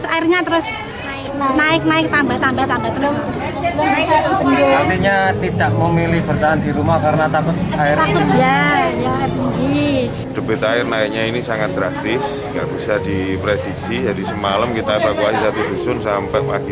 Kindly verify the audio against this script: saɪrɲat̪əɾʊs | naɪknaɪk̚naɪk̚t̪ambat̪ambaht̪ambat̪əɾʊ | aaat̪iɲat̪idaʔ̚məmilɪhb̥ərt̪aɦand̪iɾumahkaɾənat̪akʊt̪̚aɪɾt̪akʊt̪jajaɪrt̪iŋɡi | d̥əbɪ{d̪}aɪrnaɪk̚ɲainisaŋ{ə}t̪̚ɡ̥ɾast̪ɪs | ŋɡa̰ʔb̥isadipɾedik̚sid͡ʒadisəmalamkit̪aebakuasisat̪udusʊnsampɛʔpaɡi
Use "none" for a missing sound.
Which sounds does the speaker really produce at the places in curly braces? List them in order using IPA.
t̪, a

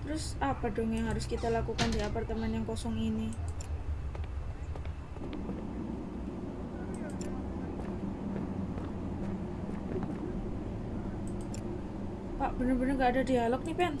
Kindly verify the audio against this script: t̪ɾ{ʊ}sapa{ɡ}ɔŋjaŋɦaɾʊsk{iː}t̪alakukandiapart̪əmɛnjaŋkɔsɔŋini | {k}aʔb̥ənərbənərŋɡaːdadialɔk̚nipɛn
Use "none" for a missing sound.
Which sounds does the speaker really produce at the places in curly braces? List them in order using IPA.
ʊ, d, i, p

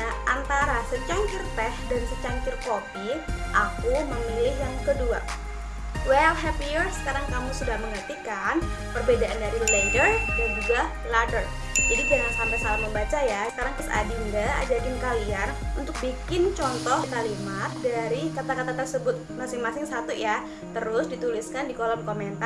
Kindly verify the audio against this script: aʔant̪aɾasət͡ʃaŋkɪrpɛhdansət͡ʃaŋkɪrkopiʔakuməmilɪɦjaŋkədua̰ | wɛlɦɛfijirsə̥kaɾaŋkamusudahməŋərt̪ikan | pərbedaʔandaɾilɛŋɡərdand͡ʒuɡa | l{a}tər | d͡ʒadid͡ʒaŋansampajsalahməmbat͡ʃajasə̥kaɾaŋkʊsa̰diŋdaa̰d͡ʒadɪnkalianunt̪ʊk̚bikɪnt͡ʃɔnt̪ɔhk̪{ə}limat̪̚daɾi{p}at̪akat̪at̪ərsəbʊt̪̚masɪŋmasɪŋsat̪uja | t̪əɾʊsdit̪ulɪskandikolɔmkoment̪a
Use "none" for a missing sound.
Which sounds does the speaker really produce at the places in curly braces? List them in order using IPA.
a, a, k

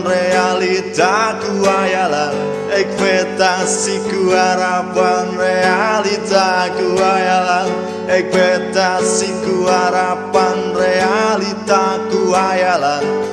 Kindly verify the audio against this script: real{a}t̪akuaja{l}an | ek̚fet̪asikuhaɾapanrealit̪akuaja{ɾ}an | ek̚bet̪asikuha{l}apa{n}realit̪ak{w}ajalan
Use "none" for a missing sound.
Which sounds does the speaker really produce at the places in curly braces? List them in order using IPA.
i, l, l, ɾ, n, u

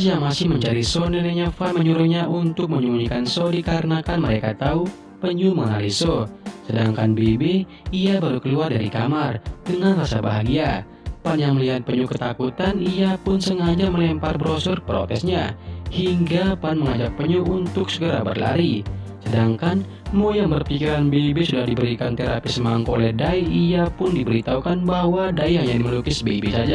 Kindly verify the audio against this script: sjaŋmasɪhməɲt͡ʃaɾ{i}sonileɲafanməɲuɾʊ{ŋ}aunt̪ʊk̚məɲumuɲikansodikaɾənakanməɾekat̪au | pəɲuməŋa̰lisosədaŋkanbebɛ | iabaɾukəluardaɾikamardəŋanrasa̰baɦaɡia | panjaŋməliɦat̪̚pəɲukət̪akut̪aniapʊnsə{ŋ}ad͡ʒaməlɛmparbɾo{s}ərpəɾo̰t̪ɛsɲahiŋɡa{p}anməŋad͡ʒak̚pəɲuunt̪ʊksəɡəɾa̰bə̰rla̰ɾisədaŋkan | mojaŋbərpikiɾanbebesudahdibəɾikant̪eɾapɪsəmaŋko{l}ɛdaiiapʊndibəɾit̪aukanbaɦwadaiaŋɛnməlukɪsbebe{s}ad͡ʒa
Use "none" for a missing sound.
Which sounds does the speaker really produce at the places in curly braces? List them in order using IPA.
i, ɲ, ŋ, s, p, l, s

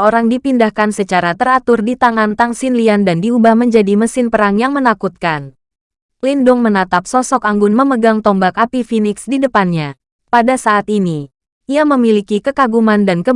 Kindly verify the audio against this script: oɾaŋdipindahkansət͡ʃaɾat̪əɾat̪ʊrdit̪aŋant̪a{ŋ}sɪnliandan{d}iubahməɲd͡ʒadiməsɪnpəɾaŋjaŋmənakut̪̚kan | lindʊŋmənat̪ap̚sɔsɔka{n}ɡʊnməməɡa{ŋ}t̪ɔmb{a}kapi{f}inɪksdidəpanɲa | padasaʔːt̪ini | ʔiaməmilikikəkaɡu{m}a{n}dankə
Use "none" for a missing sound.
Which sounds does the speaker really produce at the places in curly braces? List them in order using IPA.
ŋ, d, ŋ, ŋ, a, f, m, n

